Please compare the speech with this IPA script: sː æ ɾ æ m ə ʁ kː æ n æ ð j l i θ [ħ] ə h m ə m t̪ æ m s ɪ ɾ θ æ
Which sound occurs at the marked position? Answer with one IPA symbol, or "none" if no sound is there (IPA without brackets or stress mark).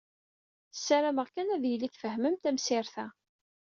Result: f